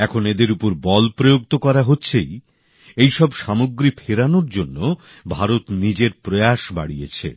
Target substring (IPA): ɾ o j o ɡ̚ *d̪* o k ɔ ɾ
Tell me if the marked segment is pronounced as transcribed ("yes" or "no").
no